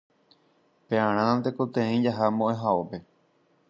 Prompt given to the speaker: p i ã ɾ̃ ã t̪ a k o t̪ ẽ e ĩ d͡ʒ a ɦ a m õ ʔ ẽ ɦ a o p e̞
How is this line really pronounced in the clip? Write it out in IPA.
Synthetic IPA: p e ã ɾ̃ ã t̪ e k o t̪ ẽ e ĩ d͡ʒ a ɦ a m õ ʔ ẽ ɦ a o p e̞